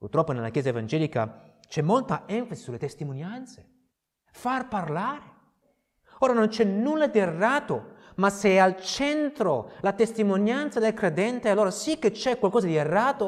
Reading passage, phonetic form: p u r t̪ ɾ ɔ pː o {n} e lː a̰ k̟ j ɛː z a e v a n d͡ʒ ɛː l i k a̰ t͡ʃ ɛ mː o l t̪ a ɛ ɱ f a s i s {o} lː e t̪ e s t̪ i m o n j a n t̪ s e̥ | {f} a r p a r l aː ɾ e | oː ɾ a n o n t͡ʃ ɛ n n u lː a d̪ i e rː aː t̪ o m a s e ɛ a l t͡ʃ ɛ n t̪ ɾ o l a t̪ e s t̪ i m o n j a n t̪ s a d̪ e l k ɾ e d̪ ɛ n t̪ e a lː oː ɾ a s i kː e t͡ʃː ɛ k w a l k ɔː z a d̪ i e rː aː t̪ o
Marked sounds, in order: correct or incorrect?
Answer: correct, incorrect, correct

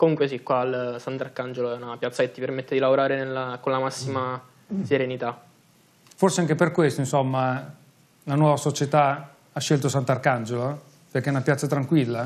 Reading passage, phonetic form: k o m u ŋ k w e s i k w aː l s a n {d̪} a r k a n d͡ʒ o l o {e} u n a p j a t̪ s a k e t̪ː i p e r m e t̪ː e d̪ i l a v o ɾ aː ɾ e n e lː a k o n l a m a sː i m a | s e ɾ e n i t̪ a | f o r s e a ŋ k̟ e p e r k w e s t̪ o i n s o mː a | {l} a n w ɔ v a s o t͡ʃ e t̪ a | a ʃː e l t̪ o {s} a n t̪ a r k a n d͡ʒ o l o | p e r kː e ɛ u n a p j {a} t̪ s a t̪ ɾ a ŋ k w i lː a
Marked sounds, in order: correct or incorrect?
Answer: incorrect, incorrect, correct, correct, correct

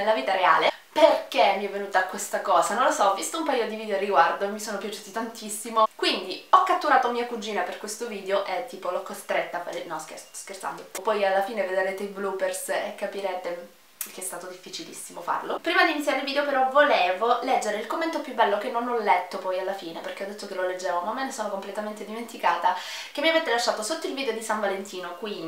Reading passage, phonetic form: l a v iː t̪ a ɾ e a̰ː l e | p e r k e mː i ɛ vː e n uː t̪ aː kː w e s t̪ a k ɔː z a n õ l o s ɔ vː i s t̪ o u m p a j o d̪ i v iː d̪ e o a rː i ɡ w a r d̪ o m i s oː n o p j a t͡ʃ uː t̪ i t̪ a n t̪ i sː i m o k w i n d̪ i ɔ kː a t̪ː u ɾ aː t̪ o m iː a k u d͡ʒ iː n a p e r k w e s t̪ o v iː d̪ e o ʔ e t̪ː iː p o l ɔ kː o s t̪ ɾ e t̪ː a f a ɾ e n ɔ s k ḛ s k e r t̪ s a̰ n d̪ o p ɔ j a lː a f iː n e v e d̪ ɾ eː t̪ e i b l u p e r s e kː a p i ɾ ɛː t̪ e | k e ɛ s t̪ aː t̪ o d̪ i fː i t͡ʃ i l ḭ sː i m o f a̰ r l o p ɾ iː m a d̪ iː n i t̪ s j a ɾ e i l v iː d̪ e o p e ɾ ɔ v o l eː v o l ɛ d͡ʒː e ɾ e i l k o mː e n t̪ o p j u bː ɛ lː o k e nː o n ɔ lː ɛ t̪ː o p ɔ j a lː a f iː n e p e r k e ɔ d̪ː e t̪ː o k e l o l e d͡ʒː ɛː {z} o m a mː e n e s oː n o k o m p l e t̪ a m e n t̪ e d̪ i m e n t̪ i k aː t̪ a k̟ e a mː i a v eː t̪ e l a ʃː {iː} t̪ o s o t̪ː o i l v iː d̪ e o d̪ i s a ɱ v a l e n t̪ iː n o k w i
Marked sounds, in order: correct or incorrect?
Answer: incorrect, incorrect

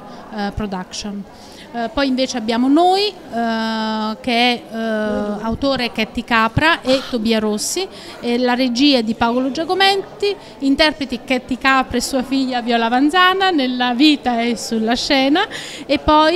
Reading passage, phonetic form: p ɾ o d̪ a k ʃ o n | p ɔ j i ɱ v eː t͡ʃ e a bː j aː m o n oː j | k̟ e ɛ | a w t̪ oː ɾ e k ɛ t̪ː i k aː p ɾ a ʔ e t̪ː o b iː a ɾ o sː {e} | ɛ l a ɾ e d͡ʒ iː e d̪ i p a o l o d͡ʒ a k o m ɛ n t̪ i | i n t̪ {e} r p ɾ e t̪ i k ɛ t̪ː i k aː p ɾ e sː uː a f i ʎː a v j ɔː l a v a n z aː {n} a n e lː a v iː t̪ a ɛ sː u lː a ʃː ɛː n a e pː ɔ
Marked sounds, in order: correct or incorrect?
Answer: incorrect, incorrect, correct

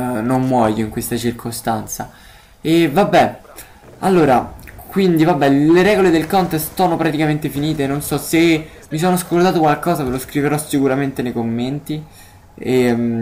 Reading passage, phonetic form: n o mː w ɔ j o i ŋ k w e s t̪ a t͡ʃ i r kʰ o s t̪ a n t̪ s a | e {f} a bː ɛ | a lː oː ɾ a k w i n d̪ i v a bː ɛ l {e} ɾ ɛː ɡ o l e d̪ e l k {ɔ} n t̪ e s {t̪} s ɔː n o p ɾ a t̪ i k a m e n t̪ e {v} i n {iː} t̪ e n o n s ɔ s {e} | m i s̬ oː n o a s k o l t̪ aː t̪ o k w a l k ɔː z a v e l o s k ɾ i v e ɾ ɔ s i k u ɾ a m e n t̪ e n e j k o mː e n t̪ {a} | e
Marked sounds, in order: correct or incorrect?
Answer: incorrect, correct, correct, correct, incorrect, correct, correct, incorrect

